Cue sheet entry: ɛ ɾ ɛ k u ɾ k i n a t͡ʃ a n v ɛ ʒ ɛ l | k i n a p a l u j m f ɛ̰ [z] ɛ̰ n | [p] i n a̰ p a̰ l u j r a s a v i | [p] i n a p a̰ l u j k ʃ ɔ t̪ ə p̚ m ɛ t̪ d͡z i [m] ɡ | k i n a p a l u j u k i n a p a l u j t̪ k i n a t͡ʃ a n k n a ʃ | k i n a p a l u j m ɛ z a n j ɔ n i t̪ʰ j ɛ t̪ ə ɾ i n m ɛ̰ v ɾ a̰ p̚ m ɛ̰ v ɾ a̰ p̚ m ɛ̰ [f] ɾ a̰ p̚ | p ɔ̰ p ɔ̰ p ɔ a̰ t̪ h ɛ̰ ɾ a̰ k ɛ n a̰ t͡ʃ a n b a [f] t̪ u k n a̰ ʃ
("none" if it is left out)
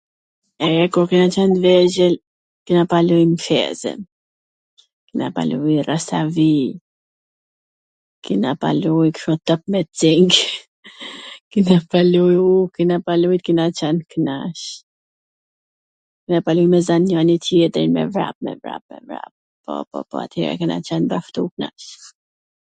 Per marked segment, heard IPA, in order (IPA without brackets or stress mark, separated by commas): z, k, k, ŋ, v, f